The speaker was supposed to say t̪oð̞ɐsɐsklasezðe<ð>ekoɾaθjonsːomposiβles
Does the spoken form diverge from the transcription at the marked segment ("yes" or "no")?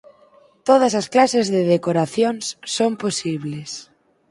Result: no